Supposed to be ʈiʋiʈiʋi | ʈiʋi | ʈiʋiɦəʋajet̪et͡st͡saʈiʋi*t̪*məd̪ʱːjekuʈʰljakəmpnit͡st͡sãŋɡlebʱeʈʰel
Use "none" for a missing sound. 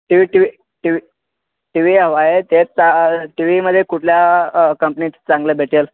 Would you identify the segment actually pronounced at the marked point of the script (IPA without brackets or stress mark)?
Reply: none